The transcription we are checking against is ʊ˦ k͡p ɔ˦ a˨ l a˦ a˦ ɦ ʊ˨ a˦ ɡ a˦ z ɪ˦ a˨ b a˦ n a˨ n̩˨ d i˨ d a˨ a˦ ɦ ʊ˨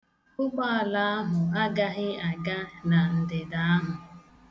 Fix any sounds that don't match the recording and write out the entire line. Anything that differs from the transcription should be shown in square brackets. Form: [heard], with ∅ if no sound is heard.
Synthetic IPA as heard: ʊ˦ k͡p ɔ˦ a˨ l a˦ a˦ ɦ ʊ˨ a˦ ɡ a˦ [ɣ] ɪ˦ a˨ [ɡ] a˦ n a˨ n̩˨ d [ɪ˨] d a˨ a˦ ɦ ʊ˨